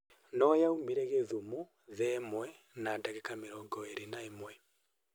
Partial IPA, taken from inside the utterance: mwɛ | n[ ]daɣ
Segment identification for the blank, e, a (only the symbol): a